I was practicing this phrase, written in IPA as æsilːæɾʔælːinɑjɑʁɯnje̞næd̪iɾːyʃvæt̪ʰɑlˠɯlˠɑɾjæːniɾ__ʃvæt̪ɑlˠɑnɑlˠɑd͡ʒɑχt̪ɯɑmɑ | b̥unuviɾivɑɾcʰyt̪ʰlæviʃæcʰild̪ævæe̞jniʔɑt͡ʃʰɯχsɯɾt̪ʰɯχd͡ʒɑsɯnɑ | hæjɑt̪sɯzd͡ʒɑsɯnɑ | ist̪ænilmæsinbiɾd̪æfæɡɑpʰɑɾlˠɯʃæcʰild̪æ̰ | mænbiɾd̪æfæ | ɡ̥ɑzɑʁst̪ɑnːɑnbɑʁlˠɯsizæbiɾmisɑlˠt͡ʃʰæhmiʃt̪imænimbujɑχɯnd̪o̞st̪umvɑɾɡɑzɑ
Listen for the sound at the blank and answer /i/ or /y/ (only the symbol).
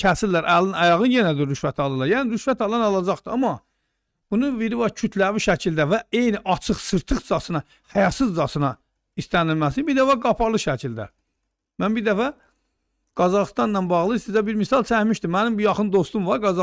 y